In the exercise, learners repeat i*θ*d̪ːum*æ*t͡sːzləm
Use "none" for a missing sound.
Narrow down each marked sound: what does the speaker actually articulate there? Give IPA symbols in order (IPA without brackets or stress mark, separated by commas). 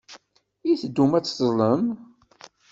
θ, æ